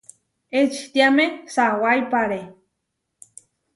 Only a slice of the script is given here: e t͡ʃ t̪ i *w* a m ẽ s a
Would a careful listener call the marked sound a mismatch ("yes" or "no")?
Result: yes